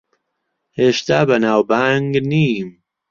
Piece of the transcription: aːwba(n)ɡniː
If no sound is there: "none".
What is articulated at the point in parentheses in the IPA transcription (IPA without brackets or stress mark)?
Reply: ŋ